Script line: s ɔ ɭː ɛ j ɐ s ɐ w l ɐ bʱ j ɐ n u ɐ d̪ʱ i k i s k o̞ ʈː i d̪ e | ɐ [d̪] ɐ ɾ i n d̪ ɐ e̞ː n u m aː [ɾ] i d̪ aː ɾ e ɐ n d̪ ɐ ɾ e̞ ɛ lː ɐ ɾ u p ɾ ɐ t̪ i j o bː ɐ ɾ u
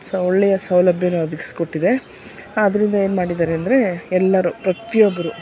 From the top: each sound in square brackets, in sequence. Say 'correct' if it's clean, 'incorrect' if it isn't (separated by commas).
correct, incorrect